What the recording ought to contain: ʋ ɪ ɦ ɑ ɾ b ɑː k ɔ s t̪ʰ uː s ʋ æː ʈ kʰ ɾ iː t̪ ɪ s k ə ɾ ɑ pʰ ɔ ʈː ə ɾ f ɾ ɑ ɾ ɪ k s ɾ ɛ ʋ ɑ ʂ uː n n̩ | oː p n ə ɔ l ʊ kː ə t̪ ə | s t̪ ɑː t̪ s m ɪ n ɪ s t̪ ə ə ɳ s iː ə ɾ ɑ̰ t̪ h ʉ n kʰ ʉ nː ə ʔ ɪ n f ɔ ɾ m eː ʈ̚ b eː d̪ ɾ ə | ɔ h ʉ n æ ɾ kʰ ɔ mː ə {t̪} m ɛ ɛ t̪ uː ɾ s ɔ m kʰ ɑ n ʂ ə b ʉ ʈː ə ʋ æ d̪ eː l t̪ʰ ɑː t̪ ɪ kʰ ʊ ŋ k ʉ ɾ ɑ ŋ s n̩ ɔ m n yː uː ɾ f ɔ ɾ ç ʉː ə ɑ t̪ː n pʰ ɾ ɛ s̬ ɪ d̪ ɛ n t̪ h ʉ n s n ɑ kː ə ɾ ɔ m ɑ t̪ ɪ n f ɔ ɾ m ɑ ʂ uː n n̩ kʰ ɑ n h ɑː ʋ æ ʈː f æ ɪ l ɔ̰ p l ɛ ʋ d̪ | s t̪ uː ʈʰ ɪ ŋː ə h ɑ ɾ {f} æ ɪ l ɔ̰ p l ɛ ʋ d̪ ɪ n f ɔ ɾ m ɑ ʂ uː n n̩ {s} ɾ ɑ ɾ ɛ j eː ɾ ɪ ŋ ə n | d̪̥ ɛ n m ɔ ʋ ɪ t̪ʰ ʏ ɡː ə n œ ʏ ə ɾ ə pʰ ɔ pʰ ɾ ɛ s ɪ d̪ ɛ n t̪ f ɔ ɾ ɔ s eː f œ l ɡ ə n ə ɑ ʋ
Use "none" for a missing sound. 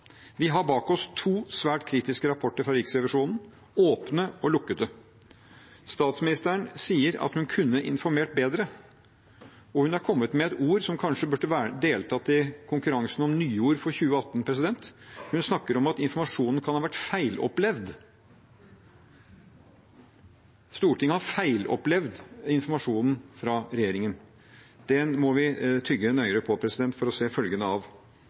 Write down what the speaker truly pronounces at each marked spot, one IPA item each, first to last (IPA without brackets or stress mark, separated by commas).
t̪, f, f